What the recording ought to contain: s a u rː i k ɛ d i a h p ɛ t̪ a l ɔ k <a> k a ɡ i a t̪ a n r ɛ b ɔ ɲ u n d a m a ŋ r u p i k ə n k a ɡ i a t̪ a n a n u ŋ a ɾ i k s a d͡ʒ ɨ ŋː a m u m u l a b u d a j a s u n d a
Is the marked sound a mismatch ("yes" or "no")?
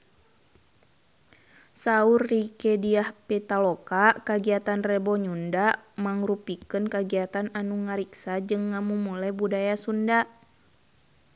no